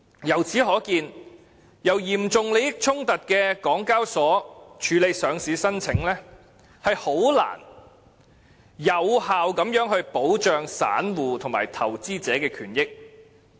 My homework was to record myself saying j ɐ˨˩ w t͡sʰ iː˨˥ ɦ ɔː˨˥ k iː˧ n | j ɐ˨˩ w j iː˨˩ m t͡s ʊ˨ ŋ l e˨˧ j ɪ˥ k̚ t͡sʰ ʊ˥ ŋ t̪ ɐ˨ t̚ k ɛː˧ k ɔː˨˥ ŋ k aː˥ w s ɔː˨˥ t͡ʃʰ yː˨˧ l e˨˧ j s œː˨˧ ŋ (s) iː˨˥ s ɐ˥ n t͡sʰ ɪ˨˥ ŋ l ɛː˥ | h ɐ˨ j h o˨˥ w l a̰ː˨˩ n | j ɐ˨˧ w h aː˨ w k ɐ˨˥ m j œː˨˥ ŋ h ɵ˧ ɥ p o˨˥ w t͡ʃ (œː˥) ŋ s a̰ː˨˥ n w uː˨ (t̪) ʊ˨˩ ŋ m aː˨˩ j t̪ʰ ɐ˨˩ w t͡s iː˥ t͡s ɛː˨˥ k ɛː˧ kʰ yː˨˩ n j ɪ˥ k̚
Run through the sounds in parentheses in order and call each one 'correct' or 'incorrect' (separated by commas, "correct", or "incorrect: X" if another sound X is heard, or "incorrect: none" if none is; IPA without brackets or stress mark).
correct, incorrect: œː˨˧, incorrect: t̪ʰ